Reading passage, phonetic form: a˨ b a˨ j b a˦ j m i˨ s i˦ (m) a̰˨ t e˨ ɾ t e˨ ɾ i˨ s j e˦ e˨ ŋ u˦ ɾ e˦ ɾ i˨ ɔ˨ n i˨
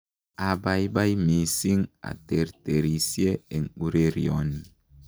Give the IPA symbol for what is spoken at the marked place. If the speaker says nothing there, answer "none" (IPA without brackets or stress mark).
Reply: ŋ